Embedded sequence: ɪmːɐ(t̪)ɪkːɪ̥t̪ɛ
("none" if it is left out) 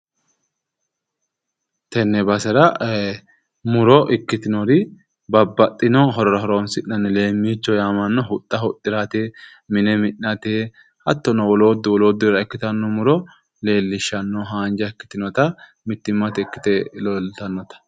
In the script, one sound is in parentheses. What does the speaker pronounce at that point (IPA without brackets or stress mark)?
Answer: t̪